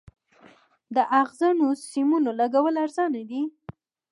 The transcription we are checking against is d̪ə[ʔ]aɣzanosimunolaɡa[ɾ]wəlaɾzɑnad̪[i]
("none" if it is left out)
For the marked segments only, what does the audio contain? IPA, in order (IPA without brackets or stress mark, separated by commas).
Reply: ʔ, none, i